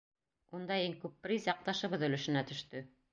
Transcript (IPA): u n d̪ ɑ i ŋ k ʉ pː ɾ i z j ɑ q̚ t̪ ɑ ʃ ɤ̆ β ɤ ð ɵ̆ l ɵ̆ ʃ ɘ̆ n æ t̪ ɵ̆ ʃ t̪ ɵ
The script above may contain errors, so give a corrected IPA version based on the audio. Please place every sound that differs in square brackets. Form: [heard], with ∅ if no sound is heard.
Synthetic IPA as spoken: u n d̪ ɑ i ŋ k ʉ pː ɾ i z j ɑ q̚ t̪ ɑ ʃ ɤ̆ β ɤ ð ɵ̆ l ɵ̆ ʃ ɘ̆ n æ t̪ ɵ̆ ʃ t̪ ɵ